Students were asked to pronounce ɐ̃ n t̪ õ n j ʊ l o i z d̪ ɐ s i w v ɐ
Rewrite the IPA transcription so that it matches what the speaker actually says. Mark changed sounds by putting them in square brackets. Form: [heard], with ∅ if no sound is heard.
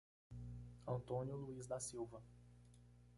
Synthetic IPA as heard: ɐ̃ n t̪ õ n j ʊ l [u] i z d̪ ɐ s i w v ɐ